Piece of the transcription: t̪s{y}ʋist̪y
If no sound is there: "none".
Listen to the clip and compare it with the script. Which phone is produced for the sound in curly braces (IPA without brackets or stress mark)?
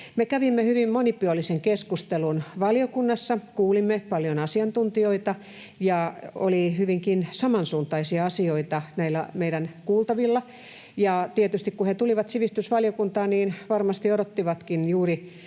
i